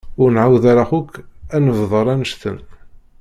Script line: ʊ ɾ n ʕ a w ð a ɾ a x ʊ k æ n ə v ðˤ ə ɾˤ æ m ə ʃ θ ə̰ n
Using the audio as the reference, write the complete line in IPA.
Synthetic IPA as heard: ʊ ɾ n ʕ a w ð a ɾ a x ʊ k æ n ə v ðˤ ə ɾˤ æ n ə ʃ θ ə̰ n